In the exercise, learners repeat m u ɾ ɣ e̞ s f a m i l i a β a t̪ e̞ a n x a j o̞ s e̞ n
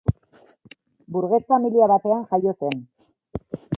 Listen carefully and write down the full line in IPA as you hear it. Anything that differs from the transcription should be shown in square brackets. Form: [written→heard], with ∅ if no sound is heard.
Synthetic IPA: [m→b] u ɾ ɣ e̞ s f a m i l i a β a t̪ e̞ a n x a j o̞ s e̞ n